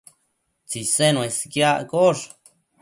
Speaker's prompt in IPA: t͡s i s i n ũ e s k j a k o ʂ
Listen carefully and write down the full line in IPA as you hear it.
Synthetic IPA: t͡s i s e n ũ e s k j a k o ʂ